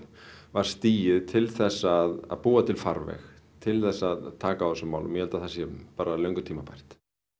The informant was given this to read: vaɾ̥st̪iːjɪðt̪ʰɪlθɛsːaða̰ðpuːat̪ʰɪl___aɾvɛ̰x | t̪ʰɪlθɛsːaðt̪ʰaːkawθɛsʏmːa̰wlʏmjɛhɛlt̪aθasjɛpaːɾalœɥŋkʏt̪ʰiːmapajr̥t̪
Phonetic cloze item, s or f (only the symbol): f